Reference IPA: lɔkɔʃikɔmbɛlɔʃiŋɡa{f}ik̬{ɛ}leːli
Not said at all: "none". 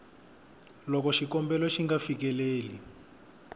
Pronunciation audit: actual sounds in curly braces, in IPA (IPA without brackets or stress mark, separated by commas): f, ɛ